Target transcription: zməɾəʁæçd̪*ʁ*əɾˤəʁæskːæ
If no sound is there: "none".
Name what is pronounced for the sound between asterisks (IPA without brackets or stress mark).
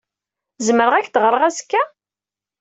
ʁ